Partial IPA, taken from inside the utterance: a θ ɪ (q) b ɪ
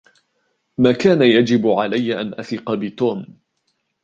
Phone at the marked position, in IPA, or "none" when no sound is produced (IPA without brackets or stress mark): q